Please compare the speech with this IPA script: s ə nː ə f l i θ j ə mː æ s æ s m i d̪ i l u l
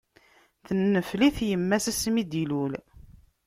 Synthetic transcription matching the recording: θ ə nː ə f l i θ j ə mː æ s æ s m i d̪ i l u l